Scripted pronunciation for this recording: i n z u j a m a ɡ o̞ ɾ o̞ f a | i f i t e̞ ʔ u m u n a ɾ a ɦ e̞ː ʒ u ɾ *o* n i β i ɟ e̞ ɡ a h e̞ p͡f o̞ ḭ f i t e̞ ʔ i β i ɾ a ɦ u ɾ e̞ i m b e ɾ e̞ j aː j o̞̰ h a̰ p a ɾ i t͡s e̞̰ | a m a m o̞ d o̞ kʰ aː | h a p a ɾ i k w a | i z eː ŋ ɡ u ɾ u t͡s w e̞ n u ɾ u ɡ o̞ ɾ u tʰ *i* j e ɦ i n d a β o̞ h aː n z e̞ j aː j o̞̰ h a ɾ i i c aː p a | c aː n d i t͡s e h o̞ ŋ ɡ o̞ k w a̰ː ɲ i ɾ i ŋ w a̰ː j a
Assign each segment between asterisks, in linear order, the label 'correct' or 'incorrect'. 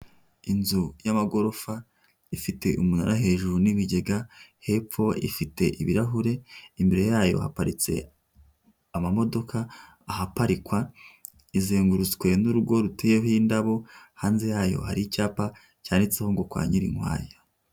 incorrect, incorrect

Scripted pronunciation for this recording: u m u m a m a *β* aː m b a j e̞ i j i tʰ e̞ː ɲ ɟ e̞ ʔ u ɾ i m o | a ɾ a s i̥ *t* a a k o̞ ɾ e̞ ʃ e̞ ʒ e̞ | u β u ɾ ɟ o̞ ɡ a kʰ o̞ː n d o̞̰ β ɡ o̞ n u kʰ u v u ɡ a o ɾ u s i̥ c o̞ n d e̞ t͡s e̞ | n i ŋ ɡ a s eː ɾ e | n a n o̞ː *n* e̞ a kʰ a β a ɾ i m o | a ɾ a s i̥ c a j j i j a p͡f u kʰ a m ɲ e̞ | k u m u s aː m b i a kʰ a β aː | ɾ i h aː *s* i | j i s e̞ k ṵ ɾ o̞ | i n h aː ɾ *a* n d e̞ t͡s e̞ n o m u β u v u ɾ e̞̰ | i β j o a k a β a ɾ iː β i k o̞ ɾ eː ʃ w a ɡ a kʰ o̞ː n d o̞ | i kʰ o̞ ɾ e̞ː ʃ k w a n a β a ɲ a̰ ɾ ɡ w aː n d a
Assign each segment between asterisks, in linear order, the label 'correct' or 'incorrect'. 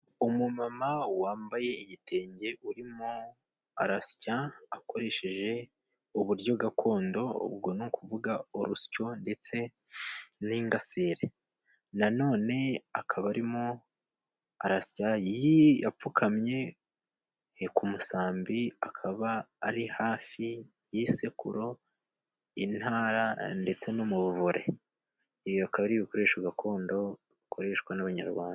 incorrect, incorrect, correct, incorrect, correct

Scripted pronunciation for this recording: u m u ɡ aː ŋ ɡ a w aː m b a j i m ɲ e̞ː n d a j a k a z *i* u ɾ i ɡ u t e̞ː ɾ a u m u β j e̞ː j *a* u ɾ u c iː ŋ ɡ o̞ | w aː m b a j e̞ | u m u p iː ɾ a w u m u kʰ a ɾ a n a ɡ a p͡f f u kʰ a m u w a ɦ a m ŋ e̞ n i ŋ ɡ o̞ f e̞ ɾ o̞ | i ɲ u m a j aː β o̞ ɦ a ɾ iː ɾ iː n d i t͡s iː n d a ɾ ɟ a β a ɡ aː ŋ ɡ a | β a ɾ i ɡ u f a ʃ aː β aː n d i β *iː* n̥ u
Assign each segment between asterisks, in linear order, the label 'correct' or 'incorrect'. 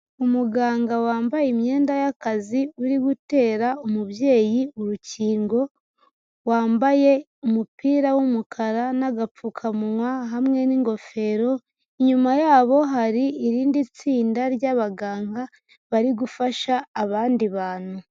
correct, incorrect, incorrect

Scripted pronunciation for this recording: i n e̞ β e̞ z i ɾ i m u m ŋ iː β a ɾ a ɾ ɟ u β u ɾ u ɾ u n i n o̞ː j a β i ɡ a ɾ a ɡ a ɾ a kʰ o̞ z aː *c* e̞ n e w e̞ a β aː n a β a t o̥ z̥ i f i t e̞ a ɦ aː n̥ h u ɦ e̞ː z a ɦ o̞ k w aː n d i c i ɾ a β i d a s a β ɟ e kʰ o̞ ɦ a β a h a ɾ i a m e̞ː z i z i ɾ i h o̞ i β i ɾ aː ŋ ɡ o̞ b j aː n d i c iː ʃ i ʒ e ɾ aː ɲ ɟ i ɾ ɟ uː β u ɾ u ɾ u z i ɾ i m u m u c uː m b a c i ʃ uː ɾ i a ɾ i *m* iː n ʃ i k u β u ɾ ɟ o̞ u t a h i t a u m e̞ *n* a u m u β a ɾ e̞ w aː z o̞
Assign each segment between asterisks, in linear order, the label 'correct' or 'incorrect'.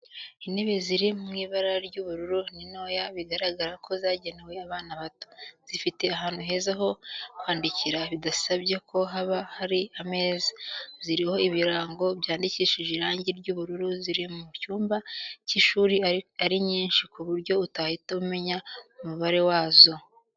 incorrect, incorrect, incorrect

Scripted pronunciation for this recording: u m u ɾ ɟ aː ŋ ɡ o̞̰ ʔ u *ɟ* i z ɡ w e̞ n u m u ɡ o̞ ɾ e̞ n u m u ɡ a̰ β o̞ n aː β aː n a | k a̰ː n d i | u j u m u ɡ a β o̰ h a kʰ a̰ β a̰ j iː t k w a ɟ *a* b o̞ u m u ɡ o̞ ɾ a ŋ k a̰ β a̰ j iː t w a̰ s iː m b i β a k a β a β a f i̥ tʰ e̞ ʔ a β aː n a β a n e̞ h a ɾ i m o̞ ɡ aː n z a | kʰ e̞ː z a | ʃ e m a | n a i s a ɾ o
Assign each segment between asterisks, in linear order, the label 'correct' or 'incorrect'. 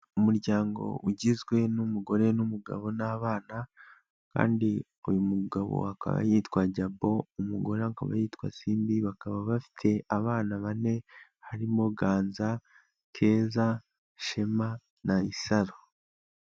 correct, correct

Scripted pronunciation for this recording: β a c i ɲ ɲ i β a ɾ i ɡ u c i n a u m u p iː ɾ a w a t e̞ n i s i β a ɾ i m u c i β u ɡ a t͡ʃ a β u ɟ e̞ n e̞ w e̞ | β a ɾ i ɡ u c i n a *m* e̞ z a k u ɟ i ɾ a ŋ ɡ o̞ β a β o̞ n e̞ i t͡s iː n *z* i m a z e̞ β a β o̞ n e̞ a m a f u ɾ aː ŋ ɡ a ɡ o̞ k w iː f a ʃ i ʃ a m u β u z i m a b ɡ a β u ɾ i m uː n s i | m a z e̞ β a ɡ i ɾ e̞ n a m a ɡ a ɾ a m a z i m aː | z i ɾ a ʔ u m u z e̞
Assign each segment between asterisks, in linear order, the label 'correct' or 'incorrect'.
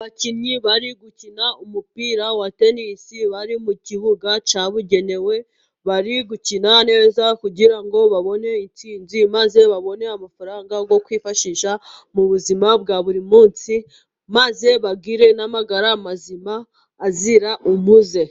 incorrect, correct

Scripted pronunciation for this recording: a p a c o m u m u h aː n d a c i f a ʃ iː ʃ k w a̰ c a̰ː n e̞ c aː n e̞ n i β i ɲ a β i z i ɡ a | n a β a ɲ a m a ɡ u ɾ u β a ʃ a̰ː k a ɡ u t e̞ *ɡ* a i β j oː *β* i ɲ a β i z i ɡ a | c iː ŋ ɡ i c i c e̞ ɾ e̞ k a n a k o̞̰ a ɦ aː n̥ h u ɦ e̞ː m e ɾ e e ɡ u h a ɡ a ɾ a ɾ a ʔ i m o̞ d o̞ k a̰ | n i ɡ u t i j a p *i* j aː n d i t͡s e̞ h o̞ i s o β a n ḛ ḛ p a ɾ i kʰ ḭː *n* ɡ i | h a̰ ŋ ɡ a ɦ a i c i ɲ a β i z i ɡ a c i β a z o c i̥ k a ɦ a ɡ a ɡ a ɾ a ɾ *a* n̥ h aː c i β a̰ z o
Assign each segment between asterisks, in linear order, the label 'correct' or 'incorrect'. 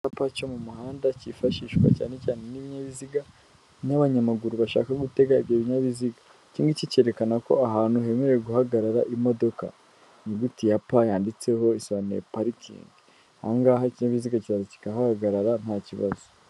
correct, correct, incorrect, incorrect, correct

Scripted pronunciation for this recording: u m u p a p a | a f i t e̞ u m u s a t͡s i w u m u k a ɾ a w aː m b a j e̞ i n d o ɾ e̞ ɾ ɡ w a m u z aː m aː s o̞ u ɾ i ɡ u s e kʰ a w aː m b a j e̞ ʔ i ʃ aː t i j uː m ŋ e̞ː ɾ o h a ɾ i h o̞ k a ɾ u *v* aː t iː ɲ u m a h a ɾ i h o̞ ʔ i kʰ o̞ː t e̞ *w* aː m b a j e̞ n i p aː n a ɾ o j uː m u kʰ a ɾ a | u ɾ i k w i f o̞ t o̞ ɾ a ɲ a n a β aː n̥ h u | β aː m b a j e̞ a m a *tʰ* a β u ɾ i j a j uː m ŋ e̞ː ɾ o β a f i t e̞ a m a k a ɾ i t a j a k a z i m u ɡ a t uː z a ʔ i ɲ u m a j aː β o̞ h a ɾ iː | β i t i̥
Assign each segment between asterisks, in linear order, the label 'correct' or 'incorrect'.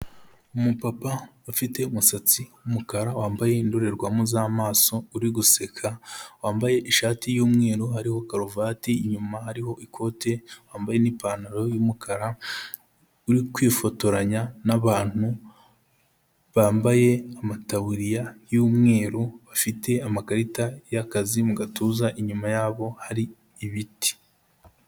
correct, correct, incorrect

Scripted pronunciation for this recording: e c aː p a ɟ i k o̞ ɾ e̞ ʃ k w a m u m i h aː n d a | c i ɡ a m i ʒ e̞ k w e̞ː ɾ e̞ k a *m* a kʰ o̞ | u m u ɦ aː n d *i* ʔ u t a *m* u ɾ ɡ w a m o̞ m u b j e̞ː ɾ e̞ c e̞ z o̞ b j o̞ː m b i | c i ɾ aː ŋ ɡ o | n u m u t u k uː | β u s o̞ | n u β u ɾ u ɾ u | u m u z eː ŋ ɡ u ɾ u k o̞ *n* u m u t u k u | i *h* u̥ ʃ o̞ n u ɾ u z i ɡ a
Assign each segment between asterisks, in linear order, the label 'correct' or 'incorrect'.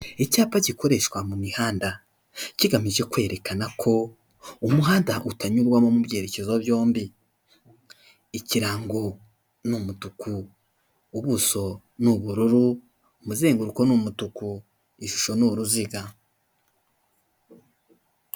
incorrect, incorrect, incorrect, correct, incorrect

